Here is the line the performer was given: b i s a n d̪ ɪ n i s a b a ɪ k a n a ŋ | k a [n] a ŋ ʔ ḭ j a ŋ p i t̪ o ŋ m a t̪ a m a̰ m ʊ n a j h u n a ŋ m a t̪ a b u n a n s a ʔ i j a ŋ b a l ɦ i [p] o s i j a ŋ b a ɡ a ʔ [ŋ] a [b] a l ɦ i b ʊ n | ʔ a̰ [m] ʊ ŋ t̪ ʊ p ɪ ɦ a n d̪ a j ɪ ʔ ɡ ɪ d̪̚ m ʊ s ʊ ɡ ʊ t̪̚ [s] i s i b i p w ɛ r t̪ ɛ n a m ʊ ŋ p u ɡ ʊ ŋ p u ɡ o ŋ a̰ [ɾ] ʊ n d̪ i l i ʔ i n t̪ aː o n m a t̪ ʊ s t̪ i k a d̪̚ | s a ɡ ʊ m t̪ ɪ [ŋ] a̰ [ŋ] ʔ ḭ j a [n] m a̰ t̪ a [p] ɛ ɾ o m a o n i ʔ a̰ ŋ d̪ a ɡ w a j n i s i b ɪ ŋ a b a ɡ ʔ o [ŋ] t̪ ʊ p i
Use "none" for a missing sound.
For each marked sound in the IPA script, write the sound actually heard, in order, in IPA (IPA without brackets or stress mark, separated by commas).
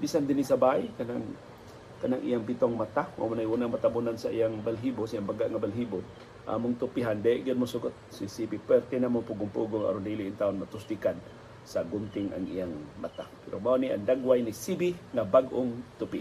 n, b, ŋ, b, m, s, ɾ, ŋ, ŋ, ŋ, p, ŋ